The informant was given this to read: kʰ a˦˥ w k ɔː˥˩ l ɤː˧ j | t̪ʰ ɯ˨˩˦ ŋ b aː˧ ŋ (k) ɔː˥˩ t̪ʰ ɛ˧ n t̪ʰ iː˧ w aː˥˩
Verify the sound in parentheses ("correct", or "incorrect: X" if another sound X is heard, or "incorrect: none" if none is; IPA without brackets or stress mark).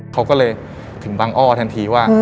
incorrect: ʔ